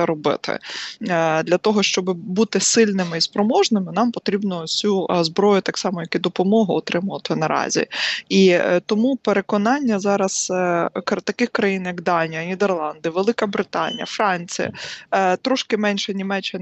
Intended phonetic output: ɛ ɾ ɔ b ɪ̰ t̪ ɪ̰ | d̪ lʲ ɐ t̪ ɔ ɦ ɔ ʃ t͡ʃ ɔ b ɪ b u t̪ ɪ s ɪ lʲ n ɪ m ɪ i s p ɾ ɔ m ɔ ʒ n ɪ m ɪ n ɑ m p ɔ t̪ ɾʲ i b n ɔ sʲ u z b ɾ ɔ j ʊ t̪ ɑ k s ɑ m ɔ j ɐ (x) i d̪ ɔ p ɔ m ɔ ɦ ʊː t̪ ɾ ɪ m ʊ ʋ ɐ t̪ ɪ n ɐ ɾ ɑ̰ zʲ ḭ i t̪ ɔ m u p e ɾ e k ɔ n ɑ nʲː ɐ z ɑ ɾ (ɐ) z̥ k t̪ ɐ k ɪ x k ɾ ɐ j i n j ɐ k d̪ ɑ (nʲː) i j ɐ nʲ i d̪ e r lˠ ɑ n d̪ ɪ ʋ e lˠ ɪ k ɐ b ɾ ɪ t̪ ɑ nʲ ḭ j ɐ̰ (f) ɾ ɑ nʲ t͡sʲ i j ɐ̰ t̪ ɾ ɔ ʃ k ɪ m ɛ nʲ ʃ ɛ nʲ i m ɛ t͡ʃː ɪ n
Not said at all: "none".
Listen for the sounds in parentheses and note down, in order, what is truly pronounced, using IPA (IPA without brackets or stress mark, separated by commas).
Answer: k, ɐ, nʲ, f